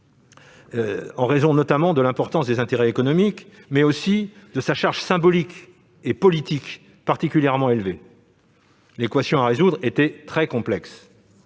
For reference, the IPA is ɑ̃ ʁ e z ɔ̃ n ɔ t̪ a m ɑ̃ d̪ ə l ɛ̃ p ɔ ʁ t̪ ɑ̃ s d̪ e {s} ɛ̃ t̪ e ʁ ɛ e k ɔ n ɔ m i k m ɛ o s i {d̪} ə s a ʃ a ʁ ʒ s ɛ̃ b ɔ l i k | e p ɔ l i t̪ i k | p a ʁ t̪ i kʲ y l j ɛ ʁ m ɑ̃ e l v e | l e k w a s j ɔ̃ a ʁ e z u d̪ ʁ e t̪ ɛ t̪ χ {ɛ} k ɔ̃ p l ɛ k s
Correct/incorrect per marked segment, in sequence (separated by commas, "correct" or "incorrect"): incorrect, correct, correct